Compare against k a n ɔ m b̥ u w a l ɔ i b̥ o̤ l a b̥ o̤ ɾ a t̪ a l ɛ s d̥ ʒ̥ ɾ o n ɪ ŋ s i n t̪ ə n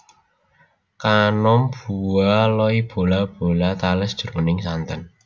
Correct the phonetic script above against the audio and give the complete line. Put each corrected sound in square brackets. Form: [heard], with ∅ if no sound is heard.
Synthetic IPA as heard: k a n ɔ m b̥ u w a l ɔ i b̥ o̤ l a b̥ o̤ [l] a t̪ a l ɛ s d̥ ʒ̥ ɾ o n ɪ ŋ s [a] n t̪ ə n